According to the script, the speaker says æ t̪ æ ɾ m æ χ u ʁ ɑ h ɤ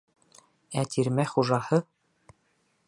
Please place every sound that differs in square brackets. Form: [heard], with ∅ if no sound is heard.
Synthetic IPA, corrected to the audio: æ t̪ [i] ɾ m æ χ u [ʒ] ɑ h ɤ